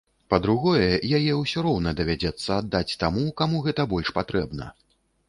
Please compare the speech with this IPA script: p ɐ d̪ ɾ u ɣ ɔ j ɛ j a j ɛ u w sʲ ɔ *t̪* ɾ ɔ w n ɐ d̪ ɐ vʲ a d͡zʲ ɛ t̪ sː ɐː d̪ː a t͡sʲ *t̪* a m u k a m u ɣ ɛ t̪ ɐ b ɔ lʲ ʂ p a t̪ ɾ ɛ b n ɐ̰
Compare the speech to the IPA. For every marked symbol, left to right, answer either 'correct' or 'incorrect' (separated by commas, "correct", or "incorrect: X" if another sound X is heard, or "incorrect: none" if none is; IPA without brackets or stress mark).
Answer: incorrect: none, correct